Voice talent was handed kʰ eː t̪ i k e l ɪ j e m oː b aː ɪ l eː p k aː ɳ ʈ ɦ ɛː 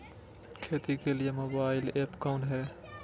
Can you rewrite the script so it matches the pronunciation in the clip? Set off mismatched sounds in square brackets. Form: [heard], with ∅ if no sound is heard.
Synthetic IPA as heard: kʰ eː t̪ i k e l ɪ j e m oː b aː ɪ l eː p k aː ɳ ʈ ɦ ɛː

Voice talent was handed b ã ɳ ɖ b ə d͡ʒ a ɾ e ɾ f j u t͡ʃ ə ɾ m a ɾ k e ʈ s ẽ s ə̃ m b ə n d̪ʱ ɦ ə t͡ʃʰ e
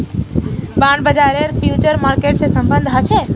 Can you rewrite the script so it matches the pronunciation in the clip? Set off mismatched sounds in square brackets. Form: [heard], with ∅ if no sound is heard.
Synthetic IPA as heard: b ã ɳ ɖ b ə d͡ʒ a ɾ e ɾ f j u t͡ʃ ə ɾ m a ɾ k e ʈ s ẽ s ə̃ m b ə n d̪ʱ ɦ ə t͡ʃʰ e

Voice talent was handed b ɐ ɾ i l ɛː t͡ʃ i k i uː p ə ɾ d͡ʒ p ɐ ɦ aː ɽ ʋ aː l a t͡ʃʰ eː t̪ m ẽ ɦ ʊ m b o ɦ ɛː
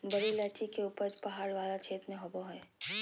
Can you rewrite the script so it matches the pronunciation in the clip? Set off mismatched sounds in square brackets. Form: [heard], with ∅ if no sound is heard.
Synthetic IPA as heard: b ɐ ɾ i l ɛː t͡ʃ i k [e] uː p ə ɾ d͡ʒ p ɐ ɦ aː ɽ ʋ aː l a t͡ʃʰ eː t̪ m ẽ ɦ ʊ [∅] b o ɦ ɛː

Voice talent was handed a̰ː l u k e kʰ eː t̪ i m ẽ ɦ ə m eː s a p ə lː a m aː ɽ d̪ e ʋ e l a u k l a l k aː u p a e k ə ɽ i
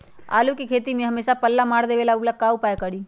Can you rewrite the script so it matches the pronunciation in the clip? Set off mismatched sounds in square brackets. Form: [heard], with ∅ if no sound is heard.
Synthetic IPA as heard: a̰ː l u k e kʰ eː t̪ i m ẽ ɦ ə m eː s a p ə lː a m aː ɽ d̪ e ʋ e l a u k l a [∅] k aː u p a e k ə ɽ i

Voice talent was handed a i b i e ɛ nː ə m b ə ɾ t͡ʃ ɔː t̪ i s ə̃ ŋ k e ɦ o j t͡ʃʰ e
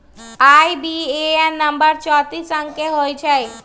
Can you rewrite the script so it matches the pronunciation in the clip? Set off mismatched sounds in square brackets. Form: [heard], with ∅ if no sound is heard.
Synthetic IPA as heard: a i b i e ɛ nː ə m b ə ɾ t͡ʃ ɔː t̪ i s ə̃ ŋ k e ɦ o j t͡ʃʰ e

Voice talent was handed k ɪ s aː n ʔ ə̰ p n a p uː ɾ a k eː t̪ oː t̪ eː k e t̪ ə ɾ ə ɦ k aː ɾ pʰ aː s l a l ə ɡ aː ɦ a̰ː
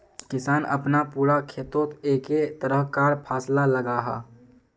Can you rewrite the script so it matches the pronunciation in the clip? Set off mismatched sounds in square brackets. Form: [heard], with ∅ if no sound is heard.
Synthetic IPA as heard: k ɪ s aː n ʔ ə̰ p n a p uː ɾ a [kʰ] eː t̪ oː t̪ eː k e t̪ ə ɾ ə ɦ k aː ɾ pʰ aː s l a l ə ɡ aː ɦ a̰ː

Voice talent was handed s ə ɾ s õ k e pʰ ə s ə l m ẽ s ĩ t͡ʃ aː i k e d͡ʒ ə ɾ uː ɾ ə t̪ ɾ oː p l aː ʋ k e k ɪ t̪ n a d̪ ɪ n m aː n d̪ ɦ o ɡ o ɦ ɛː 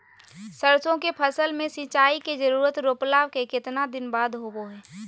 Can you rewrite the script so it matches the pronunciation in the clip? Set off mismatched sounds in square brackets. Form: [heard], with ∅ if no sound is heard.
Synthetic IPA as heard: s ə ɾ s õ k e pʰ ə s ə l m ẽ s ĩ t͡ʃ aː i k e d͡ʒ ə ɾ uː ɾ ə t̪ ɾ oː p l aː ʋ k e k ɪ t̪ n a d̪ ɪ n [b] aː [∅] d̪ ɦ o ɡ o ɦ ɛː

